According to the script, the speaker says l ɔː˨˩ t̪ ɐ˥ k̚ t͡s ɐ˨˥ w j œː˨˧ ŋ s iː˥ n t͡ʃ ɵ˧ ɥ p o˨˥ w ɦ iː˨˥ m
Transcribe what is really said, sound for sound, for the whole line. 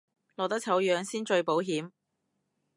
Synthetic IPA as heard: l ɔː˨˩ t̪ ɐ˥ k̚ t͡sʰ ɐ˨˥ w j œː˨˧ ŋ s iː˥ n t͡ʃ ɵ˧ ɥ p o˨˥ w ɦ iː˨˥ m